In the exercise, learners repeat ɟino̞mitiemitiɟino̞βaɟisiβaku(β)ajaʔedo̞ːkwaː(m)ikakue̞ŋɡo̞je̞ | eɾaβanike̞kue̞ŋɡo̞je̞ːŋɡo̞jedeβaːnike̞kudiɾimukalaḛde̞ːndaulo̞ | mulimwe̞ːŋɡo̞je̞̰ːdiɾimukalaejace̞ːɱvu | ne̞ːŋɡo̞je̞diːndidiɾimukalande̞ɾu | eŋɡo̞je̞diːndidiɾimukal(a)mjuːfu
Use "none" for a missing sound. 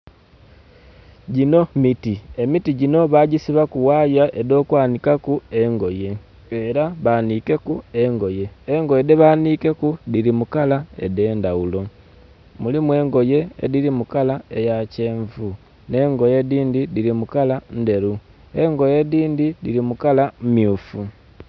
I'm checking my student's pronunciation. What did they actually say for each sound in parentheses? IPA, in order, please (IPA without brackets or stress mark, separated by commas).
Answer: w, n, a